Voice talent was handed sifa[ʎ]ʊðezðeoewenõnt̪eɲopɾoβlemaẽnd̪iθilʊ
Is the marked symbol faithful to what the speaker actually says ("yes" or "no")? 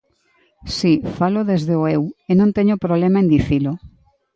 no